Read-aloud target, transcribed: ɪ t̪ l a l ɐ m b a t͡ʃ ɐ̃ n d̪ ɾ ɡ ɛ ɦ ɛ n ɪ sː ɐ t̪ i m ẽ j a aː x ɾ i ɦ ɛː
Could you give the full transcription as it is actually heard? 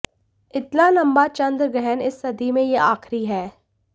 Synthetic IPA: ɪ t̪ l a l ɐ m b a t͡ʃ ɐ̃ n d̪ ɾ ɡ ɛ ɦ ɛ n ɪ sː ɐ d̪ i m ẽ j e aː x ɾ i ɦ ɛː